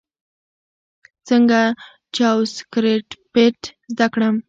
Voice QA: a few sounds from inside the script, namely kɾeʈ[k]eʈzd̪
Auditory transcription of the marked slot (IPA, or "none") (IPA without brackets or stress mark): p